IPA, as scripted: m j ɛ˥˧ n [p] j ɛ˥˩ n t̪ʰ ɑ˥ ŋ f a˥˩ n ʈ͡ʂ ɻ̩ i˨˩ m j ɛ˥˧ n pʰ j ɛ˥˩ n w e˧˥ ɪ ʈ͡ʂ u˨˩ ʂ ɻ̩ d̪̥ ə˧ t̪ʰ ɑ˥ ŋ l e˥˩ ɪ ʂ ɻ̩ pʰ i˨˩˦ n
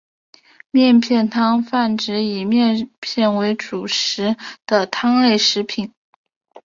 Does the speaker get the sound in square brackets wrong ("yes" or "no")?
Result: yes